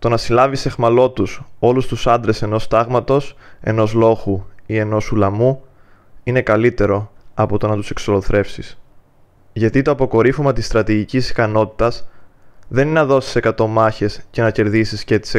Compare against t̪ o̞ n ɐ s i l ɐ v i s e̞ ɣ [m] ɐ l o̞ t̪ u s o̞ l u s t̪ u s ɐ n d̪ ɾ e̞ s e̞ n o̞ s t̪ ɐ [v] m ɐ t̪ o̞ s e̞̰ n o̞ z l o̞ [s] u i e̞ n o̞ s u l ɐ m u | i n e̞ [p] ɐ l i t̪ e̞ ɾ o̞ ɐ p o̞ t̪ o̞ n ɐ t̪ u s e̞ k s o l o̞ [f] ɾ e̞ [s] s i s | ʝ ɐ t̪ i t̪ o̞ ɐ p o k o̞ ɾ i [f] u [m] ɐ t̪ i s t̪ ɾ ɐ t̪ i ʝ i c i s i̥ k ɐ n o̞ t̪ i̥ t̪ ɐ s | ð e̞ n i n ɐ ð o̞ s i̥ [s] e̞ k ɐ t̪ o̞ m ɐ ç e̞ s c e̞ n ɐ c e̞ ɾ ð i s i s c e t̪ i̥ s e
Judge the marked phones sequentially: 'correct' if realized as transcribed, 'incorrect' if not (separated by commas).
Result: correct, incorrect, incorrect, incorrect, incorrect, incorrect, correct, correct, correct